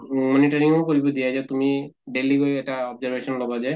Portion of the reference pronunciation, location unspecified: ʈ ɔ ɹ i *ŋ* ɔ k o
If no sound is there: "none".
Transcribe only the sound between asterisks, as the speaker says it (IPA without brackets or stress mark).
ŋ